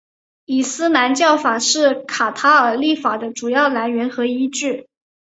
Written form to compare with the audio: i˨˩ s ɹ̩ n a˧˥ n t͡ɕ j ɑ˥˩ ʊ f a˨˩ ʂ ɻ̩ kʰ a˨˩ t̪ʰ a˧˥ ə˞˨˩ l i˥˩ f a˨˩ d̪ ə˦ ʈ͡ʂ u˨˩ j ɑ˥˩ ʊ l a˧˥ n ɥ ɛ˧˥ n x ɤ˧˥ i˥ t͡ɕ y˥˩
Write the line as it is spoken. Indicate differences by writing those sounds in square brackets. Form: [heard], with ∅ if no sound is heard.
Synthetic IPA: i˨˩ s ɹ̩ n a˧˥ n t͡ɕ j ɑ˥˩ ʊ f a˨˩ ʂ ɻ̩ kʰ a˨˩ t̪ʰ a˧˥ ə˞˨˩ l i˥˩ f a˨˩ d̪ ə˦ ʈ͡ʂ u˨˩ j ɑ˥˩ ʊ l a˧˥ n ɥ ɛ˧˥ n x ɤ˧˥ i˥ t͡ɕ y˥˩

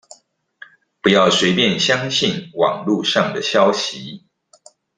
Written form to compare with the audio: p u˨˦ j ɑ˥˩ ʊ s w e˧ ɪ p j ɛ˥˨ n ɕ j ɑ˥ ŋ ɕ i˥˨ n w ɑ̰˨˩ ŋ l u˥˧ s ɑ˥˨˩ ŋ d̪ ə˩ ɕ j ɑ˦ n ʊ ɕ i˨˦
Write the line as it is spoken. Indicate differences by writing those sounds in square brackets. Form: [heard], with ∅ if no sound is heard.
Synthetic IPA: p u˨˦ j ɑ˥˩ ʊ s w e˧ ɪ p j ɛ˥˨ n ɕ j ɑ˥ ŋ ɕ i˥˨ n w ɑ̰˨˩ ŋ l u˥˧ [ʂ] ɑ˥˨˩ ŋ d̪ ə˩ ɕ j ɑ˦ [∅] ʊ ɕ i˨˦

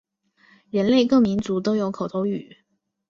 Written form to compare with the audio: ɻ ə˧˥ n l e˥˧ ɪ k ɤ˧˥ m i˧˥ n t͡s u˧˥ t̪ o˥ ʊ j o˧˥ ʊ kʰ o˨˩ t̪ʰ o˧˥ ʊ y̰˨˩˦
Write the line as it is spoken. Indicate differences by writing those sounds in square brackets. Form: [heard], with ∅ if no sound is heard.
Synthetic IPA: ɻ ə˧˥ n l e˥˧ ɪ k [ɤ˥˩] m i˧˥ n t͡s u˧˥ t̪ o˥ ʊ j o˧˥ ʊ kʰ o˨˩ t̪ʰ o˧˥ ʊ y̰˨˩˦

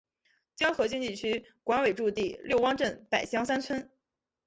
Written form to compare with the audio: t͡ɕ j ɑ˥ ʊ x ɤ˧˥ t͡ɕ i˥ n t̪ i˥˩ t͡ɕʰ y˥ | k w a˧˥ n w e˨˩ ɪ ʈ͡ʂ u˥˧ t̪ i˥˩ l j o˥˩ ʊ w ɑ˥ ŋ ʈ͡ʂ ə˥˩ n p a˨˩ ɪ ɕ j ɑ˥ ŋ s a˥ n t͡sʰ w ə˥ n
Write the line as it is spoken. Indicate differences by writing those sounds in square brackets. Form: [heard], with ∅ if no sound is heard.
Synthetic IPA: t͡ɕ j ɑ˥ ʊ x ɤ˧˥ t͡ɕ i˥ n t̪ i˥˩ t͡ɕʰ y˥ | k w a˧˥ n w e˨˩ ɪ ʈ͡ʂ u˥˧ t̪ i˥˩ l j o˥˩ ʊ w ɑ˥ ŋ ʈ͡ʂ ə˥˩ n p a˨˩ ɪ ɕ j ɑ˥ ŋ s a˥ n t͡sʰ w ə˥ n

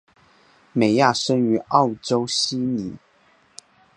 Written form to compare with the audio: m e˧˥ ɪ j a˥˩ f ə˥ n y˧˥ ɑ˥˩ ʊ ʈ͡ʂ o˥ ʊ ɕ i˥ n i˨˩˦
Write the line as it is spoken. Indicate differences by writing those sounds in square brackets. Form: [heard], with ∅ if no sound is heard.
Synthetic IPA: m [e˨˩] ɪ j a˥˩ [ʂ] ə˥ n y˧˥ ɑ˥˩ ʊ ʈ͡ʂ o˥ ʊ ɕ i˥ n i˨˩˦

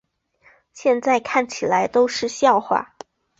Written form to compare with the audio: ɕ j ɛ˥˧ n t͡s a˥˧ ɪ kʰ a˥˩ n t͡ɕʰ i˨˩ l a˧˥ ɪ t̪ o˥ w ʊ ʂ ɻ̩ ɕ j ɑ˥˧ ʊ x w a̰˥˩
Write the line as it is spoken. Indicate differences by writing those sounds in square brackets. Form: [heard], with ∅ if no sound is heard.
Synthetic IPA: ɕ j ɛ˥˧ n t͡s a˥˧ ɪ kʰ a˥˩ n t͡ɕʰ i˨˩ l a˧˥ ɪ t̪ o˥ [∅] ʊ ʂ ɻ̩ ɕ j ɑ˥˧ ʊ x w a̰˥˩

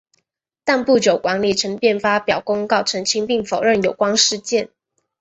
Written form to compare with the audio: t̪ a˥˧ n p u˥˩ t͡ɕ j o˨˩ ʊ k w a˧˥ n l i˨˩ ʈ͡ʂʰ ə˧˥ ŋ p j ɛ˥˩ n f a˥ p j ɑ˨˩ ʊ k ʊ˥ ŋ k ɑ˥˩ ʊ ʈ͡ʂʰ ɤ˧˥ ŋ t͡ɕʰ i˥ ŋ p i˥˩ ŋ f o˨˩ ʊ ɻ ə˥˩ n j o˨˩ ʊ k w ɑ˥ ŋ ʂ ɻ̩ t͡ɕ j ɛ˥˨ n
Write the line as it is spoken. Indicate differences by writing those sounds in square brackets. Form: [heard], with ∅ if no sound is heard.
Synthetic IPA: t̪ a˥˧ n p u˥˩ t͡ɕ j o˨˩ ʊ k w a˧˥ n l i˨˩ ʈ͡ʂʰ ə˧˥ ŋ p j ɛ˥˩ n f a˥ p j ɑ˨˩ ʊ k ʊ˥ ŋ k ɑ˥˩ ʊ ʈ͡ʂʰ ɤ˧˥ ŋ t͡ɕʰ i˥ ŋ p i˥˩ ŋ f o˨˩ ʊ ɻ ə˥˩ n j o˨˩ ʊ k w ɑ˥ ŋ ʂ ɻ̩ t͡ɕ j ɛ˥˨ n

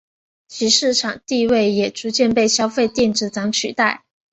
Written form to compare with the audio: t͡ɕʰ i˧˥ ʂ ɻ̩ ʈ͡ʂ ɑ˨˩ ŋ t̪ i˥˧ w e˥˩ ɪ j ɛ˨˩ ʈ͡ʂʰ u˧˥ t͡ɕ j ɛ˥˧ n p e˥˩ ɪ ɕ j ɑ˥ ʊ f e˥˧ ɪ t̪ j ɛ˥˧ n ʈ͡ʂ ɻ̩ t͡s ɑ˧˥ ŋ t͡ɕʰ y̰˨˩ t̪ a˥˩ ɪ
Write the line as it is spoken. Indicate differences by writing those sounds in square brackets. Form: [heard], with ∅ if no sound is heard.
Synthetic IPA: t͡ɕʰ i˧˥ ʂ ɻ̩ [ʈ͡ʂʰ] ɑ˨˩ ŋ t̪ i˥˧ w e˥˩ ɪ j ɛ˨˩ [ʈ͡ʂ] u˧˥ t͡ɕ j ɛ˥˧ n p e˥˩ ɪ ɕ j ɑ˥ ʊ f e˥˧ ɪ t̪ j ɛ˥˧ n ʈ͡ʂ ɻ̩ t͡s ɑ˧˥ ŋ t͡ɕʰ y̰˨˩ t̪ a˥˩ ɪ

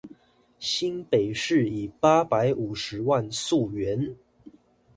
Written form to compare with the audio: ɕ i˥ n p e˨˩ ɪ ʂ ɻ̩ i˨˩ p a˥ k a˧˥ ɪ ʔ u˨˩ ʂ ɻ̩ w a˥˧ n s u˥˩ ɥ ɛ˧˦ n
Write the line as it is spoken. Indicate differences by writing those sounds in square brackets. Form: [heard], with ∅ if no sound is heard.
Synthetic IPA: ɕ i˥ n p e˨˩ ɪ ʂ ɻ̩ i˨˩ p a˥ [p] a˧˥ ɪ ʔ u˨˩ ʂ ɻ̩ w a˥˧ n s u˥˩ ɥ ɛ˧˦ n

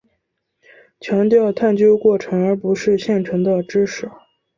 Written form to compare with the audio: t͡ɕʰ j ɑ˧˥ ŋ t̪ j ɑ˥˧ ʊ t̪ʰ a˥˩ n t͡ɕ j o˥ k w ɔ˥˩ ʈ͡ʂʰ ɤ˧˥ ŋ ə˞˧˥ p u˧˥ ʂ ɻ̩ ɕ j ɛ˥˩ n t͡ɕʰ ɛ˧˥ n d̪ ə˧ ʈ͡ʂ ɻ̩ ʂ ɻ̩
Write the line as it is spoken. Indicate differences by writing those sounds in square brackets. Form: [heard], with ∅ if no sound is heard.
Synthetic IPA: t͡ɕʰ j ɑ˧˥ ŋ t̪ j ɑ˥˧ ʊ t̪ʰ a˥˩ n t͡ɕ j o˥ k w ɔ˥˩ ʈ͡ʂʰ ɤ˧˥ ŋ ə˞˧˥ p u˧˥ ʂ ɻ̩ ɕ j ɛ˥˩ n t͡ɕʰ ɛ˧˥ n d̪ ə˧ ʈ͡ʂ ɻ̩ ʂ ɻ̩

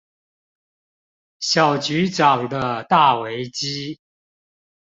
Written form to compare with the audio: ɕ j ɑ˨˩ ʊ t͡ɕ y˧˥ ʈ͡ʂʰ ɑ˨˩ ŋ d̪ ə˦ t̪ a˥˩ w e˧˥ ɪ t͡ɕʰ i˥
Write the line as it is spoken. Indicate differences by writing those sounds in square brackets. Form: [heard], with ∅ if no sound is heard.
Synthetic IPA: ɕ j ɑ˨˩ ʊ t͡ɕ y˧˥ [ʈ͡ʂ] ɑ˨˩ ŋ d̪ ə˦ t̪ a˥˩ w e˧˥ ɪ [t͡ɕ] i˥

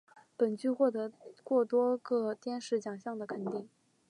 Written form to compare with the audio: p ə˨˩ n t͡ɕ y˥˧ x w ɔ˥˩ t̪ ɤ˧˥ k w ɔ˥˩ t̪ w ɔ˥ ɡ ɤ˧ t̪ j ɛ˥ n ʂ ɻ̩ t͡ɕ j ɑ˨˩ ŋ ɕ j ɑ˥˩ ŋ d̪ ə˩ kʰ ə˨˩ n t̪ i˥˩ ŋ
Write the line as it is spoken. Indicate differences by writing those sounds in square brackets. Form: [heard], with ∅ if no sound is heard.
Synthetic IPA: p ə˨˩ n t͡ɕ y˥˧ x w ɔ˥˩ t̪ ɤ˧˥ k w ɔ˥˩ t̪ w ɔ˥ ɡ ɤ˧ t̪ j ɛ˥ n ʂ ɻ̩ t͡ɕ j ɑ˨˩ ŋ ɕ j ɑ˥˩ ŋ d̪ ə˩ kʰ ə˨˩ n t̪ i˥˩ ŋ

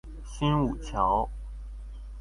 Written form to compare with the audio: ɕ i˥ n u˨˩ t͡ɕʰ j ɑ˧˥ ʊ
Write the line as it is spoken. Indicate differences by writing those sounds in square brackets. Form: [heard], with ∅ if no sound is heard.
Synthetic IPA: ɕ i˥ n u˨˩ t͡ɕʰ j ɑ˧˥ ʊ

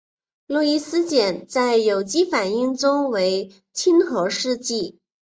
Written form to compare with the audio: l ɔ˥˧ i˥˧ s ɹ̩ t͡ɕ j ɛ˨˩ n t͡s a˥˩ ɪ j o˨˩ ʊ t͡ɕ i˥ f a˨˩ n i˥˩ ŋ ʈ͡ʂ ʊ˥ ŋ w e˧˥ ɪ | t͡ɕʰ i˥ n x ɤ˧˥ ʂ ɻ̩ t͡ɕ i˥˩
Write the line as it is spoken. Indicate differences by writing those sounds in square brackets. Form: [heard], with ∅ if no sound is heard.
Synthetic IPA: l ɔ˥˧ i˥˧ s ɹ̩ t͡ɕ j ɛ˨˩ n t͡s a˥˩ ɪ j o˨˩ ʊ t͡ɕ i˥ f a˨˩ n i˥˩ ŋ ʈ͡ʂ ʊ˥ ŋ w e˧˥ ɪ | t͡ɕʰ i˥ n x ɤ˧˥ ʂ ɻ̩ t͡ɕ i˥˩

